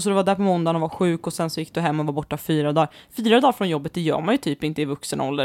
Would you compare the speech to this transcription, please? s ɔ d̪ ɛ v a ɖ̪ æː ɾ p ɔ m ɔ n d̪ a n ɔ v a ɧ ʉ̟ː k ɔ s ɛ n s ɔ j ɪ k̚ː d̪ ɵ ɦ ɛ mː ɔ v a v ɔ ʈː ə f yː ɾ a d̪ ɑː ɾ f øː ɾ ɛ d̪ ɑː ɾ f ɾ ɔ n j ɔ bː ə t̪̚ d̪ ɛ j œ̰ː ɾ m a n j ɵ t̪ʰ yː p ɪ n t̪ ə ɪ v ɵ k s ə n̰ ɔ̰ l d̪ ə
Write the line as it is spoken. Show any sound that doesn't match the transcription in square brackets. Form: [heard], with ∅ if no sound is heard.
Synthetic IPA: s ɔ d̪ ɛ v a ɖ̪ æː ɾ p ɔ m ɔ n d̪ a n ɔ v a ɧ ʉ̟ː k ɔ s ɛ n s ɔ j ɪ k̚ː d̪ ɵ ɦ ɛ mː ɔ v a [b] ɔ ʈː [a] f yː ɾ a d̪ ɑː ɾ f [yː] ɾ [a] d̪ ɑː ɾ f ɾ ɔ n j ɔ bː ə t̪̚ d̪ ɛ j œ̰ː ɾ m a n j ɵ t̪ʰ yː p ɪ n t̪ ə ɪ v ɵ k s ə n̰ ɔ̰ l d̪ ə